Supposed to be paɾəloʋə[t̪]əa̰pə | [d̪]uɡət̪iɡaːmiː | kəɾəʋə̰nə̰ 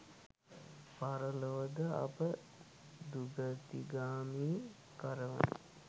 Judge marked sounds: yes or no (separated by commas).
no, yes